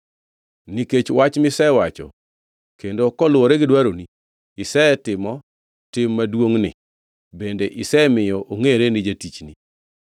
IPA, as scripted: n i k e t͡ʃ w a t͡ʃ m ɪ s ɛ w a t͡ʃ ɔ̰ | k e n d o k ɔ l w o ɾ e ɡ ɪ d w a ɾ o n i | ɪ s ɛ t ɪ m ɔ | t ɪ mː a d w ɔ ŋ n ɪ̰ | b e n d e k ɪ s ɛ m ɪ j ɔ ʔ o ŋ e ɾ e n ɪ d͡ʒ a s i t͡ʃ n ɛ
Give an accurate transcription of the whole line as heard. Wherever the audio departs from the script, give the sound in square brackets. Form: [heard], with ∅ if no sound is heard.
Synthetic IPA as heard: n i k e t͡ʃ w a t͡ʃ m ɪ s ɛ w a t͡ʃ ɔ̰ | k e n d o k ɔ l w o ɾ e ɡ ɪ d w a ɾ o n i | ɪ s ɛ t ɪ m ɔ | t ɪ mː a d w [o] ŋ n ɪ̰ | b e n d e [ʔ] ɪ s ɛ m ɪ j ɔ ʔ o ŋ e ɾ e n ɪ d͡ʒ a [t] i t͡ʃ n [i]

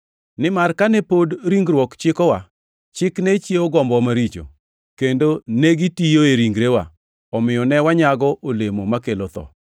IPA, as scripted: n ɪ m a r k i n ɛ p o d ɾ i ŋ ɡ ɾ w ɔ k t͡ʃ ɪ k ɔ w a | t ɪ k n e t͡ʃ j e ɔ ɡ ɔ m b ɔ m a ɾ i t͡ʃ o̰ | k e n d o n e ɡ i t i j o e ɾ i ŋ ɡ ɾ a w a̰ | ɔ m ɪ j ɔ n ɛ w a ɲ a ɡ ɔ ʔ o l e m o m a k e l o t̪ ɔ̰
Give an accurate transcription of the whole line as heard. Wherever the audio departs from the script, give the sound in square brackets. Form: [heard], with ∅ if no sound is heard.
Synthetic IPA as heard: n ɪ m a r k [a] n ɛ p o d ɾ i ŋ ɡ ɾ w ɔ k t͡ʃ ɪ k ɔ w a | [t͡ʃ] ɪ k n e t͡ʃ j e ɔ ɡ ɔ m b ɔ m a ɾ i t͡ʃ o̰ | k e n d o n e ɡ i t i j o e ɾ i ŋ ɡ ɾ [e] w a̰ | ɔ m ɪ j ɔ n ɛ w a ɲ a ɡ ɔ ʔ o l e m o m a k e l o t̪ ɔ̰

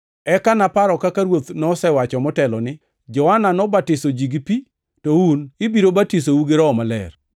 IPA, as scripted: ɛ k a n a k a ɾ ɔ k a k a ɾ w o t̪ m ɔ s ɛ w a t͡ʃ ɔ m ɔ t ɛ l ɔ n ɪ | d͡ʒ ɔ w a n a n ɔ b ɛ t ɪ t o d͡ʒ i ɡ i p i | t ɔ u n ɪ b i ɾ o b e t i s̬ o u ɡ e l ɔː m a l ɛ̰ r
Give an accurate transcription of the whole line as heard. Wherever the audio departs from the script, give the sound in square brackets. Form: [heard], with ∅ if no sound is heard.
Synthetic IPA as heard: ɛ k a n a [p] a ɾ ɔ k a k a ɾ w o t̪ [n] ɔ s ɛ w a t͡ʃ ɔ m ɔ t ɛ l ɔ n ɪ | d͡ʒ ɔ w a n a n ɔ b [a] t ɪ [s] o d͡ʒ i ɡ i p i | t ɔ u n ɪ b i ɾ o b [a] t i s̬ o u ɡ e [ɾ] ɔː m a l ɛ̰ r

